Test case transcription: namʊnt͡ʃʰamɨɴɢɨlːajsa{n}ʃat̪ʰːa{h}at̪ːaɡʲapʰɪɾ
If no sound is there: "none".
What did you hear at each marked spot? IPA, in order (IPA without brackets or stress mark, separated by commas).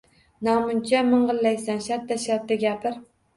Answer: n, ʃ